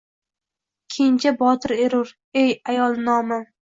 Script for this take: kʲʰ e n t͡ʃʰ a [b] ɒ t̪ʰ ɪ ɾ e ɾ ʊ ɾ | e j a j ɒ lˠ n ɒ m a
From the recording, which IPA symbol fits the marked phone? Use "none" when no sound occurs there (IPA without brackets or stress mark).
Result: b